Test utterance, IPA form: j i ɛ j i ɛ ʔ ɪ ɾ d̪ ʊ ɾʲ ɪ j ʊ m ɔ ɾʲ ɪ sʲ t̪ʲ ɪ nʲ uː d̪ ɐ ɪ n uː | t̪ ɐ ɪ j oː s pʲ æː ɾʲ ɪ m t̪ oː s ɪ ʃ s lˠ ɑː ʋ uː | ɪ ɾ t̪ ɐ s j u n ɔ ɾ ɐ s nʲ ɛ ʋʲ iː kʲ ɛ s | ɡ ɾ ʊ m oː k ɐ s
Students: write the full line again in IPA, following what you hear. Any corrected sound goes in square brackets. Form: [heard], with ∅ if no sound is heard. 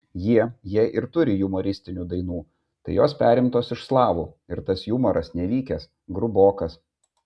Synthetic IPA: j i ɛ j i ɛ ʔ ɪ ɾ [t̪] ʊ ɾʲ ɪ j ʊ m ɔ ɾʲ ɪ sʲ t̪ʲ ɪ nʲ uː d̪ ɐ ɪ n uː | t̪ ɐ ɪ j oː s pʲ æː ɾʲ ɪ m t̪ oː s ɪ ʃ s lˠ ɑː ʋ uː | ɪ ɾ t̪ ɐ s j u [m] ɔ ɾ ɐ s nʲ ɛ ʋʲ iː kʲ ɛ s | ɡ ɾ ʊ [b] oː k ɐ s

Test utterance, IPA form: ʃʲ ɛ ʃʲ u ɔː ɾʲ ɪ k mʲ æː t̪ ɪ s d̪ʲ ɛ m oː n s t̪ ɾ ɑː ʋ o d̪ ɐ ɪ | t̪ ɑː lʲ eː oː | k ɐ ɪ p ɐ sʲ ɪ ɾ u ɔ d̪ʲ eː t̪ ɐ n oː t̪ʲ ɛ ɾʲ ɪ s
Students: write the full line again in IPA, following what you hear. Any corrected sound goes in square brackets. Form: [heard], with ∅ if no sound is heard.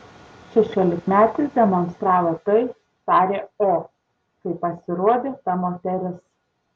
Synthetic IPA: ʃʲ ɛ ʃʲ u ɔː [lʲ] ɪ k mʲ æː t̪ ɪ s d̪ʲ ɛ m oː n s t̪ ɾ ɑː ʋ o [t̪] ɐ ɪ | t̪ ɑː [ɾʲ] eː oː | k ɐ ɪ p ɐ sʲ ɪ ɾ u ɔ d̪ʲ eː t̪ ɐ [m] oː t̪ʲ ɛ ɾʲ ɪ s

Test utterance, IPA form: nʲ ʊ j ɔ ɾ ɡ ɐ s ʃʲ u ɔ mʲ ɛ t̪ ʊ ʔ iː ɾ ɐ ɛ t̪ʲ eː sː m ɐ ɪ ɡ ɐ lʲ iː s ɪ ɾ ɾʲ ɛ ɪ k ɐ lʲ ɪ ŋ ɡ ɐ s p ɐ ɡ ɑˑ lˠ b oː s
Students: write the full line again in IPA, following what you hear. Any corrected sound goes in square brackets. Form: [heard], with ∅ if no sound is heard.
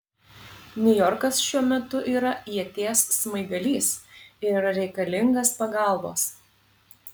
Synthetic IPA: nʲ ʊ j ɔ ɾ [k] ɐ s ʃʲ u ɔ mʲ ɛ t̪ ʊ ʔ iː ɾ ɐ ɛ t̪ʲ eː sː m ɐ ɪ ɡ ɐ lʲ iː s ɪ ɾ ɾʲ ɛ ɪ k ɐ lʲ ɪ ŋ ɡ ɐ s p ɐ ɡ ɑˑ lˠ b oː s

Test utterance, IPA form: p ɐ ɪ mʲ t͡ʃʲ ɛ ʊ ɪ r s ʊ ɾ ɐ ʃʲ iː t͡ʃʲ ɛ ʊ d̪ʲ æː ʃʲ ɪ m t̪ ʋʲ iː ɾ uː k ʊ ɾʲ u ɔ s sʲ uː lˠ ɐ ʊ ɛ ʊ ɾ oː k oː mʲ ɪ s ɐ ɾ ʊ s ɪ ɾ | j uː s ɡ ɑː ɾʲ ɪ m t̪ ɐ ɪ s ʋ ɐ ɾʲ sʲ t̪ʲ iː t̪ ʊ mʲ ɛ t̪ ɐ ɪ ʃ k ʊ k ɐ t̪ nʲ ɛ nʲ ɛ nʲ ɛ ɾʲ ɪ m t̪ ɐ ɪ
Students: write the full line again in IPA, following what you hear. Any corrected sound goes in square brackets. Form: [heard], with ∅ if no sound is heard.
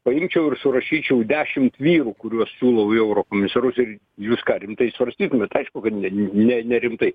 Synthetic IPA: p ɐ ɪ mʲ t͡ʃʲ ɛ ʊ ɪ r s ʊ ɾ ɐ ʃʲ iː t͡ʃʲ ɛ ʊ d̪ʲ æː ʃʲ ɪ m t̪ ʋʲ iː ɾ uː k ʊ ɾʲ u ɔ s sʲ uː lˠ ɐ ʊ ɛ ʊ ɾ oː k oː mʲ ɪ s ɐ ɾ ʊ s ɪ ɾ | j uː s [k] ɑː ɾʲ ɪ m t̪ ɐ ɪ s ʋ ɐ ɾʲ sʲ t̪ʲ iː t̪ ʊ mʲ ɛ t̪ ɐ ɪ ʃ k ʊ k ɐ t̪ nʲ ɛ nʲ ɛ nʲ ɛ ɾʲ ɪ m t̪ ɐ ɪ

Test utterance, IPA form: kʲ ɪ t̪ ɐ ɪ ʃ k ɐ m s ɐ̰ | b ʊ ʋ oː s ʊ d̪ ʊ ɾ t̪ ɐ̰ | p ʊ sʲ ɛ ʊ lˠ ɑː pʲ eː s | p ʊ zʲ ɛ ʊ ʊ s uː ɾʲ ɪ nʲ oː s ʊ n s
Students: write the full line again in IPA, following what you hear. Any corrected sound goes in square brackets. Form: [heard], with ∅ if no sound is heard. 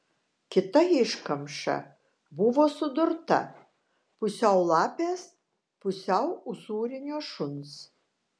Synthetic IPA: kʲ ɪ t̪ ɐ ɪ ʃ k ɐ m [ʃ] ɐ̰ | b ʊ ʋ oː s ʊ d̪ ʊ ɾ t̪ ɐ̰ | p ʊ sʲ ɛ ʊ lˠ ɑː pʲ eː s | p ʊ [sʲ] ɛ ʊ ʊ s uː ɾʲ ɪ nʲ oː [ʃ] ʊ n s

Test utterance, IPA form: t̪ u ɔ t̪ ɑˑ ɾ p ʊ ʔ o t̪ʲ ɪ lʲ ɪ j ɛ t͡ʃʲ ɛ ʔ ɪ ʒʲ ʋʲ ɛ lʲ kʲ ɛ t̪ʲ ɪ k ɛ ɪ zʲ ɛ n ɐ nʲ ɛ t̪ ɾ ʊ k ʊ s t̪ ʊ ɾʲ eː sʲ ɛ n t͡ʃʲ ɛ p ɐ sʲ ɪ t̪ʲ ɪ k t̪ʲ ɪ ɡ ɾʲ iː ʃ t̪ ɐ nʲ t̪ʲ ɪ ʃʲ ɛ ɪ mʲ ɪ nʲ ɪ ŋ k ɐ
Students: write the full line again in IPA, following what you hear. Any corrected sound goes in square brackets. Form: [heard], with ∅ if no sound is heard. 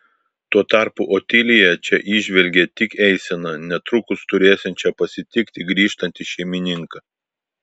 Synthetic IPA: t̪ u ɔ t̪ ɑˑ ɾ p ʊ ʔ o t̪ʲ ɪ lʲ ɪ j ɛ t͡ʃʲ ɛ ʔ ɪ ʒʲ ʋʲ ɛ lʲ [ɡʲ] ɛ t̪ʲ ɪ k ɛ ɪ [sʲ] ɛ n ɐ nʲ ɛ t̪ ɾ ʊ k ʊ s t̪ ʊ ɾʲ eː sʲ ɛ n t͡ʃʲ ɛ p ɐ sʲ ɪ t̪ʲ ɪ k t̪ʲ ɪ ɡ ɾʲ iː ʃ t̪ ɐ nʲ t̪ʲ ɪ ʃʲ ɛ ɪ mʲ ɪ nʲ ɪ ŋ k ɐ

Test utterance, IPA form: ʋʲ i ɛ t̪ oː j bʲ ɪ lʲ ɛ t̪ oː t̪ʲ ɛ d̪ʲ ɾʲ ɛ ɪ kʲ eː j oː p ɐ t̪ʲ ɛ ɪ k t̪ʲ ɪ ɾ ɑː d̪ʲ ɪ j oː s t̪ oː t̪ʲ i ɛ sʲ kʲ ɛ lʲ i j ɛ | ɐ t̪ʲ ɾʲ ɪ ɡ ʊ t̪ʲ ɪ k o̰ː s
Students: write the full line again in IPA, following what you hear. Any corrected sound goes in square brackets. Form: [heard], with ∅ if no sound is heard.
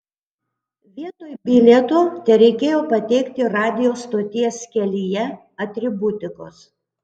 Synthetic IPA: ʋʲ i ɛ t̪ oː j bʲ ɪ lʲ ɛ t̪ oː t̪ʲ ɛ [∅] ɾʲ ɛ ɪ kʲ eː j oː p ɐ t̪ʲ ɛ ɪ k t̪ʲ ɪ ɾ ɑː d̪ʲ ɪ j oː s t̪ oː t̪ʲ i ɛ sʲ kʲ ɛ lʲ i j ɛ | ɐ t̪ʲ ɾʲ ɪ [b] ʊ t̪ʲ ɪ k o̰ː s

